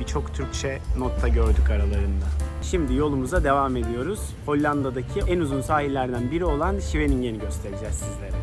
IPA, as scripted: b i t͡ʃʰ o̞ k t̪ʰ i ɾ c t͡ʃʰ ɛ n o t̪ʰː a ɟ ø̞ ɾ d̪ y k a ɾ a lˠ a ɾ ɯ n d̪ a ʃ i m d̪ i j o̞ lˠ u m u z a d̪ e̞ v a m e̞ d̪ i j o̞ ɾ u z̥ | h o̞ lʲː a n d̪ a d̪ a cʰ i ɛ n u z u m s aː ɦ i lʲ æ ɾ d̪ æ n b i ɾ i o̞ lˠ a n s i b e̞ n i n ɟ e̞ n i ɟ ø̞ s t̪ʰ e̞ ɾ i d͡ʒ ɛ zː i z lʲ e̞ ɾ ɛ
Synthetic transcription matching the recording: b i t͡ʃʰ o̞ k t̪ʰ y ɾ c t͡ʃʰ ɛ n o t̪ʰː a ɟ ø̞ ɾ d̪ y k a ɾ a lˠ a ɾ ɯ n d̪ a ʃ i m d̪ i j o̞ lˠ u m u z a d̪ e̞ v a m e̞ d̪ i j o̞ ɾ u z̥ | h o̞ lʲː a n d̪ a d̪ a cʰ i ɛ n u z u n s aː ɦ i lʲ æ ɾ d̪ æ n b i ɾ i o̞ lˠ a n ʃ i v e̞ n i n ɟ e̞ n i ɟ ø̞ s t̪ʰ e̞ ɾ i d͡ʒ ɛ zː i z lʲ e̞ ɾ ɛ